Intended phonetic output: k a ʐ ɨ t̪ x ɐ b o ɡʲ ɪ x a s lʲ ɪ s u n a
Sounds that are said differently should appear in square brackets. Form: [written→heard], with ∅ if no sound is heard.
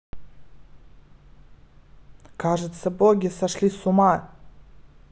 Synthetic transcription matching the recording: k a ʐ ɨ t̪ [x→s] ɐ b o ɡʲ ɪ [x→s] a [s→ʂ] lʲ [ɪ→i] s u [n→m] a